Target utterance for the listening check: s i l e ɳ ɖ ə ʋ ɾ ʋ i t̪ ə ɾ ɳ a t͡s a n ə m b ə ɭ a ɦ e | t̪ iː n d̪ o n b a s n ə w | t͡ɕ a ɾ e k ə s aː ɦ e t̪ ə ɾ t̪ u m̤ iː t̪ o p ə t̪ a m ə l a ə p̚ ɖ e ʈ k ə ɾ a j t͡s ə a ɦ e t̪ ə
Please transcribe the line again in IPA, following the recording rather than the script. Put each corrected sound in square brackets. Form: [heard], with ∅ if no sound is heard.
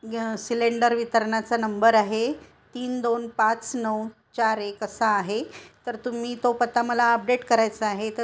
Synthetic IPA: s i l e ɳ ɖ ə [∅] ɾ ʋ i t̪ ə ɾ ɳ a t͡s a n ə m b ə [ɾ] a ɦ e | t̪ iː n d̪ o n [p] a [t͡s] n ə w | t͡ɕ a ɾ e k ə s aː ɦ e t̪ ə ɾ t̪ u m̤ iː t̪ o p ə t̪ a m ə l a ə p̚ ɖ e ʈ k ə ɾ a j t͡s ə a ɦ e t̪ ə